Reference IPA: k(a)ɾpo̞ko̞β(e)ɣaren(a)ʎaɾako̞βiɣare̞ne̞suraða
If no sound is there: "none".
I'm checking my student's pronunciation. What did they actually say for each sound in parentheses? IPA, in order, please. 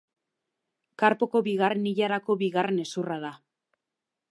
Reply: a, i, i

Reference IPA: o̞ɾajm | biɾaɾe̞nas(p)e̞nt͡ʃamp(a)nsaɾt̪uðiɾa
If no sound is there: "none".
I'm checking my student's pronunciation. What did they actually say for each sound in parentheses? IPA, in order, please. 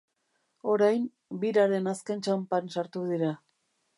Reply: k, a

